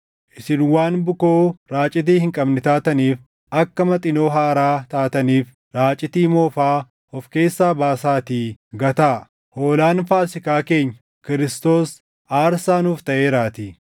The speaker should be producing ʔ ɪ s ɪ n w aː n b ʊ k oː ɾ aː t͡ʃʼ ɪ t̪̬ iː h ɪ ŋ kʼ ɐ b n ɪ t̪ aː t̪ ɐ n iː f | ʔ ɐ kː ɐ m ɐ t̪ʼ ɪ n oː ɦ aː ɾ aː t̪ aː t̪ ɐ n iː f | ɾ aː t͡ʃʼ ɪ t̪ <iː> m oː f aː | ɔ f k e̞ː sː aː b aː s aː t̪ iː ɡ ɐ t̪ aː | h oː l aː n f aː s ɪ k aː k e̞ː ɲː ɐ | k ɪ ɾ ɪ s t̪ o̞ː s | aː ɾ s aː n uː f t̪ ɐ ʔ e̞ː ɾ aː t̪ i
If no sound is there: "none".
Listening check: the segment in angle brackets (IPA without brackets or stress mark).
iː